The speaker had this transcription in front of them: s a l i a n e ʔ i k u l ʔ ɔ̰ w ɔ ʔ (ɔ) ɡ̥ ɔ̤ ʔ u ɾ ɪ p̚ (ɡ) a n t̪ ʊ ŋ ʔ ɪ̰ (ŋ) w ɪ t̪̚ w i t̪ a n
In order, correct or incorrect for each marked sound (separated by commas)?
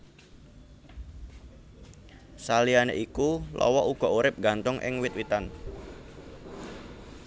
incorrect, correct, correct